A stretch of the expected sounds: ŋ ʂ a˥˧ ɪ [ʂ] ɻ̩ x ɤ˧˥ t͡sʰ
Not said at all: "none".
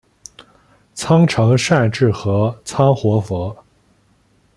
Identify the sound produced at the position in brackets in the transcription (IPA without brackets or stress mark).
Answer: ʈ͡ʂ